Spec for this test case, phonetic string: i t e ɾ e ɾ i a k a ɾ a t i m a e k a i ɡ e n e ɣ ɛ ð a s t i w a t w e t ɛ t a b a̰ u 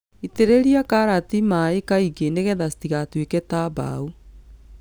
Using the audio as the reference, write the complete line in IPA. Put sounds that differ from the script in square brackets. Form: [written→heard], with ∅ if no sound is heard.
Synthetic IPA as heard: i t e ɾ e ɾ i a k a ɾ a t i m a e k a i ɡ e n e ɣ ɛ ð a s t i [w→ɣ] a t w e [t→k] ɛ t a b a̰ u